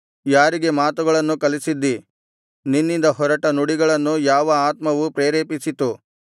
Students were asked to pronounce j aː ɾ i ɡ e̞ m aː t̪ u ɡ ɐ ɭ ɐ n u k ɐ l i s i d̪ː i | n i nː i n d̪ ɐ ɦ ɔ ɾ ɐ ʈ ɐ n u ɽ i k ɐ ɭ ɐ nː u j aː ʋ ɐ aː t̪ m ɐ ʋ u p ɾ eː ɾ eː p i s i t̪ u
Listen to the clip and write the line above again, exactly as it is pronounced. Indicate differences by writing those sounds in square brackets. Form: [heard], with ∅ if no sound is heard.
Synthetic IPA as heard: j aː ɾ i ɡ e̞ m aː t̪ u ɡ ɐ ɭ ɐ [nː] u k ɐ l i s i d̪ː i | n i nː i n d̪ ɐ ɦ ɔ ɾ ɐ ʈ ɐ n u ɽ i [ɡ] ɐ ɭ ɐ nː u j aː ʋ ɐ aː t̪ m ɐ ʋ u p ɾ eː ɾ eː p i s i t̪ u